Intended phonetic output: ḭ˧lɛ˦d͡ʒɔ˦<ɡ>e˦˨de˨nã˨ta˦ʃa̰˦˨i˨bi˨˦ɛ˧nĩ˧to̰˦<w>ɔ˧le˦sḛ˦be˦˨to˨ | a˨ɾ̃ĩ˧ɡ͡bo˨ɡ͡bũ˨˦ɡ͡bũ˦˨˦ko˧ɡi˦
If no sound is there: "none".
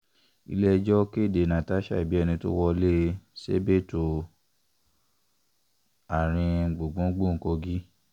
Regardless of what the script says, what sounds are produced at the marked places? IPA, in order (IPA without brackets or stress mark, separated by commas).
k, w